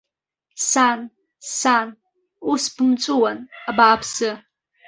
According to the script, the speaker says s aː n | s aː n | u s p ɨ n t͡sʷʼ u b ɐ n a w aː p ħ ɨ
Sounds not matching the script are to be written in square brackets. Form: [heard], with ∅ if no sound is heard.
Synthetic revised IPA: s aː n | s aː n | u s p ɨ [m] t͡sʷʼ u [w] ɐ n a [b] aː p [s] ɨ